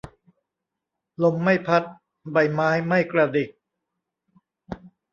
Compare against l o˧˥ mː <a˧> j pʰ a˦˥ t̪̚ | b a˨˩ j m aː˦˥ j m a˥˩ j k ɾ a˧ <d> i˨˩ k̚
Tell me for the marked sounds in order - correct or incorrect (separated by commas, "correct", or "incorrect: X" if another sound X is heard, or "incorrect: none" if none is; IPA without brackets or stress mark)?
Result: incorrect: a˥˩, correct